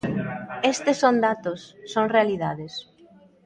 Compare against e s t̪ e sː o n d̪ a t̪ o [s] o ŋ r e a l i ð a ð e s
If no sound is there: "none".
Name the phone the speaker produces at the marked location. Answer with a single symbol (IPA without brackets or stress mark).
sː